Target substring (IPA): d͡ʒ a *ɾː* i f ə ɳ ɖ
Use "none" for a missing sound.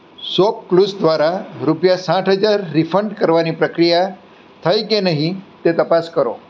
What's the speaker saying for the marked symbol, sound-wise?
ɾː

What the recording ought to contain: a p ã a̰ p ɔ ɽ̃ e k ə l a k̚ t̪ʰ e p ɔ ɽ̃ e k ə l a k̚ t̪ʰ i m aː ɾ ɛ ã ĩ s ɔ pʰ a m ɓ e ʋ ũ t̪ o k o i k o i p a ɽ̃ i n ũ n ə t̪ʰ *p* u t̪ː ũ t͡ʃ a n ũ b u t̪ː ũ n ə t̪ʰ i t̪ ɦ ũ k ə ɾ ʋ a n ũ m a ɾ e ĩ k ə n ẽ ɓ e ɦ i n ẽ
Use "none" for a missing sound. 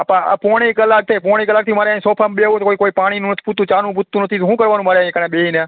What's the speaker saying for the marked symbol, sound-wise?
p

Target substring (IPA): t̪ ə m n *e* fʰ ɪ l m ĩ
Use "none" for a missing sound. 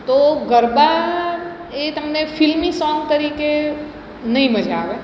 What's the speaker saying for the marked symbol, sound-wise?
e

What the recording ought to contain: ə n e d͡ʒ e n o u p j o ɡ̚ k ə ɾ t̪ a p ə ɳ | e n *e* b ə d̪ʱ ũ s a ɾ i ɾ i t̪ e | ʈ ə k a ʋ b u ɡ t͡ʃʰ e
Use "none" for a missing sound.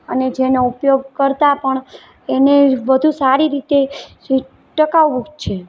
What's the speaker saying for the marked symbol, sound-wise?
e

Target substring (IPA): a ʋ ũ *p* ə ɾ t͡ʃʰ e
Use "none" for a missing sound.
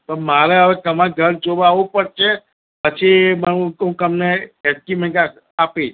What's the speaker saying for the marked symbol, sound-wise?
p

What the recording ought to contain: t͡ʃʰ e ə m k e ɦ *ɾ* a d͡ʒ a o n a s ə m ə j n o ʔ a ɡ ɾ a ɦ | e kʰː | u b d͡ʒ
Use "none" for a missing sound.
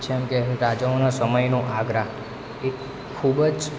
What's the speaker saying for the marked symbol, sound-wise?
ɾ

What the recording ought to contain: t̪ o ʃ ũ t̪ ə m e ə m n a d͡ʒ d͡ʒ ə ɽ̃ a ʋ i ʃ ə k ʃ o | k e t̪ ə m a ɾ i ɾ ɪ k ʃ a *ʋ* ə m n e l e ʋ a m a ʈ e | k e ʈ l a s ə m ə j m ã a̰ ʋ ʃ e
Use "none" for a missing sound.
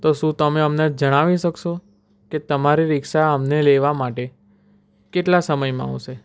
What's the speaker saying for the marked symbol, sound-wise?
none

